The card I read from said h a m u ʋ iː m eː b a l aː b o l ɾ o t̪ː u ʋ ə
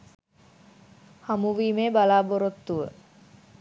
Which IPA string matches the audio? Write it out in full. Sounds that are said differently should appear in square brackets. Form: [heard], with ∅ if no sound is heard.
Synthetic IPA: h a m u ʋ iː m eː b a l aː b o [∅] ɾ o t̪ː u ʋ ə

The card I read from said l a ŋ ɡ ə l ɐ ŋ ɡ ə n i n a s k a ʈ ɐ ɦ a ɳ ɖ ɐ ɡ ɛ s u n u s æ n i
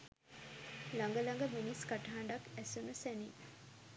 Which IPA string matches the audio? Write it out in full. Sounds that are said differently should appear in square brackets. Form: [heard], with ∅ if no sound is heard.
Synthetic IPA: l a ŋ ɡ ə l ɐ ŋ ɡ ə [m] i n [i] s k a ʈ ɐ ɦ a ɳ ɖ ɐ [k] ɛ s u n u s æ n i

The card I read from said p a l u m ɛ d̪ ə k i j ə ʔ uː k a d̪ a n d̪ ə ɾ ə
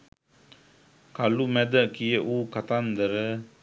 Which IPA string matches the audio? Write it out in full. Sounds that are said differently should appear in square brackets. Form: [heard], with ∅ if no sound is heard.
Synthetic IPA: [k] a l u m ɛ d̪ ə k i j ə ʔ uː k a [t̪] a n d̪ ə ɾ ə

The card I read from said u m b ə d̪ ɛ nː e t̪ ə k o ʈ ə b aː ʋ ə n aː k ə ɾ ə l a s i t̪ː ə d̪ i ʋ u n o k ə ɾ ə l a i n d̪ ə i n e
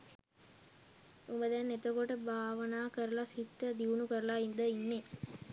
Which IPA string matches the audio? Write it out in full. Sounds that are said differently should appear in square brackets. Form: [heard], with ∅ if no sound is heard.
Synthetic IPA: u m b ə d̪ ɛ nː e t̪ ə k o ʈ ə b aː ʋ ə n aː k ə ɾ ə l a s i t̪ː ə d̪ i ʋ u n [u] k ə ɾ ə l a i n d̪ ə i [nː] e

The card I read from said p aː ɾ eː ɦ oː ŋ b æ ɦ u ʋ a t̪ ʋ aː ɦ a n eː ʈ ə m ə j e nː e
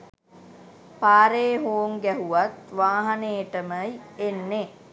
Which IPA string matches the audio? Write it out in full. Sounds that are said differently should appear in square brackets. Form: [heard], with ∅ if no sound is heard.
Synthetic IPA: p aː ɾ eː ɦ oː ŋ [ɡ] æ ɦ u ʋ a t̪ ʋ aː ɦ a n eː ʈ ə m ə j e nː e

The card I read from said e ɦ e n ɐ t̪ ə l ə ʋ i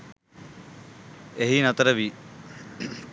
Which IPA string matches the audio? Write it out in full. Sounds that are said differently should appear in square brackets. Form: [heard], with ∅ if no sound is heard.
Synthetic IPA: e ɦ [i] n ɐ t̪ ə [ɾ] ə ʋ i

